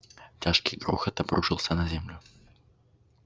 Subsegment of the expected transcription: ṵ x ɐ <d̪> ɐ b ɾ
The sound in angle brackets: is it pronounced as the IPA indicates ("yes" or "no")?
no